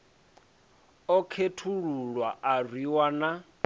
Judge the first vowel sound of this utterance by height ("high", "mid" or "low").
mid